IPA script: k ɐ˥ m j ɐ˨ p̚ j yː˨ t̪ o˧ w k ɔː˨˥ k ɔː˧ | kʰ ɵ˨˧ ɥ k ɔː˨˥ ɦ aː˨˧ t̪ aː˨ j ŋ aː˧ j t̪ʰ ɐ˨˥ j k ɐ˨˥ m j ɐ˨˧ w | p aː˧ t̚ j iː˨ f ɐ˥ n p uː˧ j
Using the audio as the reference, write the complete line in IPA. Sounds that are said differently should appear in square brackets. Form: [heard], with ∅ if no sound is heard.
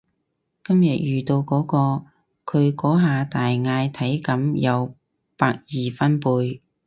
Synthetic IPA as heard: k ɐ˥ m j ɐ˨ [t̚] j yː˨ t̪ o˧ w k ɔː˨˥ k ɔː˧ | kʰ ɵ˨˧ ɥ k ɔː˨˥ ɦ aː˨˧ t̪ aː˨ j ŋ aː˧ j t̪ʰ ɐ˨˥ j k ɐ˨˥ m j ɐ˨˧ w | p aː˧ [k̚] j iː˨ f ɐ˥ n p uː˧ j